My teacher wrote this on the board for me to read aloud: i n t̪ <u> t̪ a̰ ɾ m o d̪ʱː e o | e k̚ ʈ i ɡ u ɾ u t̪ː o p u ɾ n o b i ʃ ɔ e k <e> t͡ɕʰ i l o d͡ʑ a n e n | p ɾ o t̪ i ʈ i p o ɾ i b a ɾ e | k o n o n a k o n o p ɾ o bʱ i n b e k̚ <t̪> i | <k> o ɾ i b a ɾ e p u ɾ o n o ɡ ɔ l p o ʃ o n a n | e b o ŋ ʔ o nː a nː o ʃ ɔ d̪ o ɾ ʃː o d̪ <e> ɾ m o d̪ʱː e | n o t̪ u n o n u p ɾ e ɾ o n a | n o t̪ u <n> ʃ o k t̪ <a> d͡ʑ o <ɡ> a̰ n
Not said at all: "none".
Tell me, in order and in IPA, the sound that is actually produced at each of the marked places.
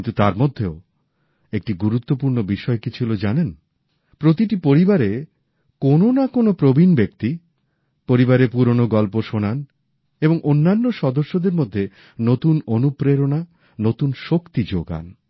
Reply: u, i, t̪, p, e, n, i, ɡ

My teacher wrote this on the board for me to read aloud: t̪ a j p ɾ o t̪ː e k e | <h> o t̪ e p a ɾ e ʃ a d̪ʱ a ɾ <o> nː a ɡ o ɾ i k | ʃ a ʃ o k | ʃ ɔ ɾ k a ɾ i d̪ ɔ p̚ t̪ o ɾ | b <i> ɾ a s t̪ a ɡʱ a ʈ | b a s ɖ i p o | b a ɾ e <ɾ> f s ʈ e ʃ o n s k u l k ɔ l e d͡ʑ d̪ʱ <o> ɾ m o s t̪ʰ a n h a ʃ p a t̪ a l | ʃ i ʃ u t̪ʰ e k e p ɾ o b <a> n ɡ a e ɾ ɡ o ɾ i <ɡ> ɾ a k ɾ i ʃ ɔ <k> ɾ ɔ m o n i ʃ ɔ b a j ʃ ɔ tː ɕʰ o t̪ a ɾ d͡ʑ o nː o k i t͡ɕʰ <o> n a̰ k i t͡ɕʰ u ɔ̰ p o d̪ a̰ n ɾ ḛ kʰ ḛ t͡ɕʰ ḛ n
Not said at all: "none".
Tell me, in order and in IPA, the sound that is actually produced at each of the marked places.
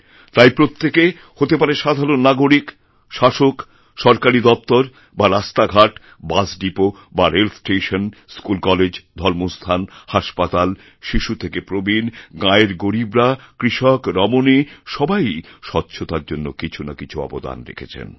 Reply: h, o, a, l, ɔ, i, b, k, u

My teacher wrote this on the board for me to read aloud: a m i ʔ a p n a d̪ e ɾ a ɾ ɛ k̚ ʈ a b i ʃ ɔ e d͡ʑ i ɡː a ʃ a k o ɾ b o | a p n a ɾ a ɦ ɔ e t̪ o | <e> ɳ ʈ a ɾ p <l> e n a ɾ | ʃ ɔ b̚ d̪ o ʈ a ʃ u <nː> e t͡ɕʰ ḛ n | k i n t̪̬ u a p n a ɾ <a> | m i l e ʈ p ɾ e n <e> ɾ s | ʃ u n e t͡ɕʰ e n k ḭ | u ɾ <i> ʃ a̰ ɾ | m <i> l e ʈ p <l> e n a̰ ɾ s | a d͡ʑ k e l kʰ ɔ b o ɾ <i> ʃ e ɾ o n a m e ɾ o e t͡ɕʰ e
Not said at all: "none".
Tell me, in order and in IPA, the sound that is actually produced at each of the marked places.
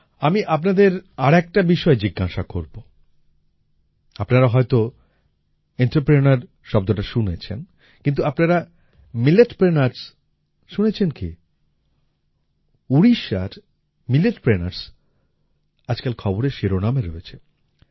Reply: e, ɾ, n, a, a, i, i, ɾ, e

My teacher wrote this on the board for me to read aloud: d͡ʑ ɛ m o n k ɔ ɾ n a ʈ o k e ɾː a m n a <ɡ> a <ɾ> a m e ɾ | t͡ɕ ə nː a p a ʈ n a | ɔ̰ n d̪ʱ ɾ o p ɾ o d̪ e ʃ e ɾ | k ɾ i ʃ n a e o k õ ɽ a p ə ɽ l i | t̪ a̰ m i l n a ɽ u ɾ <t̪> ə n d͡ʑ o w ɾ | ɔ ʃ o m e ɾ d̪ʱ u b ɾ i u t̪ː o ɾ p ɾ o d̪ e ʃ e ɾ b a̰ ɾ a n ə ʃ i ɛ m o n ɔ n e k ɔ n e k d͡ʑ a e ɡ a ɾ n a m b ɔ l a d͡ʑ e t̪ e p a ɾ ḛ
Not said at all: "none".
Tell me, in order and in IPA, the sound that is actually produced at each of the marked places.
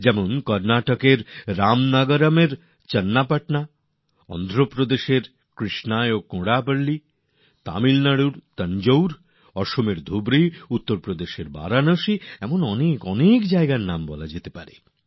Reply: ɡ, ɾ, t̪

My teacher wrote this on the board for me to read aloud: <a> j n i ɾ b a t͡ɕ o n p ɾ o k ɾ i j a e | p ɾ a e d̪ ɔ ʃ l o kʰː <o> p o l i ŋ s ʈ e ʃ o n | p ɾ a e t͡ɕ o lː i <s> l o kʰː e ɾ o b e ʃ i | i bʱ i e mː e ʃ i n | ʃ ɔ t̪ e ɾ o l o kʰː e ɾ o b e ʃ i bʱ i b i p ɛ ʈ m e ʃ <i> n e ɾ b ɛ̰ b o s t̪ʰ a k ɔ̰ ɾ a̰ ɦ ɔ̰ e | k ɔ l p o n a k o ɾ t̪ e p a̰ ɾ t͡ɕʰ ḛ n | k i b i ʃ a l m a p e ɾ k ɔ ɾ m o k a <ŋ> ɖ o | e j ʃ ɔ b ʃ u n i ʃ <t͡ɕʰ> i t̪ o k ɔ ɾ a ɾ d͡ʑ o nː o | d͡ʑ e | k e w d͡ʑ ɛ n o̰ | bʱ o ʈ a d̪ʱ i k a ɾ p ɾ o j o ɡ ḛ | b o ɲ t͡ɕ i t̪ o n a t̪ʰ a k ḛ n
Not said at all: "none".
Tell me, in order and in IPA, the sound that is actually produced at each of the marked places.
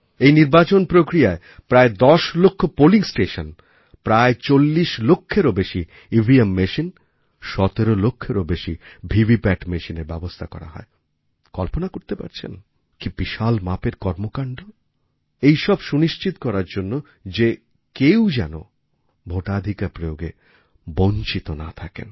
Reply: e, o, ʃ, i, ɳ, t͡ɕ

